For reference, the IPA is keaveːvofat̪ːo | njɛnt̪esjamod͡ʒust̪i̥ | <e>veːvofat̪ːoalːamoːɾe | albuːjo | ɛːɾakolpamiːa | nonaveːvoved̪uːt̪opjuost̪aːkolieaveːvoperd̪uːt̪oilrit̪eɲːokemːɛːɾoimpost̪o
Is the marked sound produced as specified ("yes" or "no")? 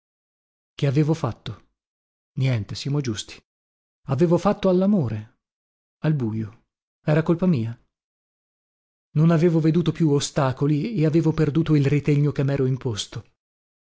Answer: no